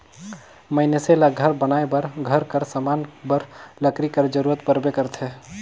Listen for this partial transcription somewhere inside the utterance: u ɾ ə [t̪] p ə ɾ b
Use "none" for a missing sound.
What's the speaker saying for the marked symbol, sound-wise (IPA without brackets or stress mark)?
t̪